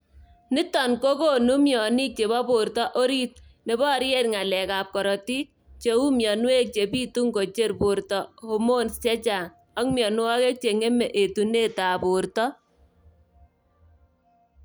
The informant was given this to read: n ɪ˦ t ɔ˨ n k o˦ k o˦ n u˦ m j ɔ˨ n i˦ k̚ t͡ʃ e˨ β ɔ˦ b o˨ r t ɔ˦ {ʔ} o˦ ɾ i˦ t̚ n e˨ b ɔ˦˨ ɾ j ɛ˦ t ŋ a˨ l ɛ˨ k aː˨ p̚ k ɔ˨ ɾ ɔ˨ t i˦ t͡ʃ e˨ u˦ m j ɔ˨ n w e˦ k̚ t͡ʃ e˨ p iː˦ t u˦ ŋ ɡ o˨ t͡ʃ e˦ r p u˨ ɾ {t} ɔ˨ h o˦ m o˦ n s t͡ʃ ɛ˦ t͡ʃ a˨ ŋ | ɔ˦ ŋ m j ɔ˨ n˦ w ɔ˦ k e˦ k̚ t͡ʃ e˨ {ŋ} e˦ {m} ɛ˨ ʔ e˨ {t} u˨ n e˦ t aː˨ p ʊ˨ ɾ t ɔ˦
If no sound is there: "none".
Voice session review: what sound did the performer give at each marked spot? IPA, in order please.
ʔ, t, ŋ, m, t

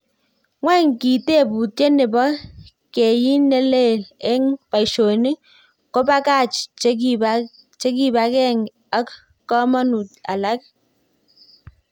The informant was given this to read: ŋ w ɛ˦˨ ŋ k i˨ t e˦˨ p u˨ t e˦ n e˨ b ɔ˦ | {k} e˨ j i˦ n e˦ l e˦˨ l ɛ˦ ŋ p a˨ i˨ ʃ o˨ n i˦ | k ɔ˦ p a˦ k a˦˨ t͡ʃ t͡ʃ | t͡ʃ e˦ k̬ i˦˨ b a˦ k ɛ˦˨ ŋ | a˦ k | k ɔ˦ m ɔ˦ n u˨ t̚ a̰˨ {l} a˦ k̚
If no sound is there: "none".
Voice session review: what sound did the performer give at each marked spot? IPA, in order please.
k, l

